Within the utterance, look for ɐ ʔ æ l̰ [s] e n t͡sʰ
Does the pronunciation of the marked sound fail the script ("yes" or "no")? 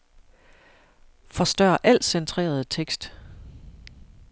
no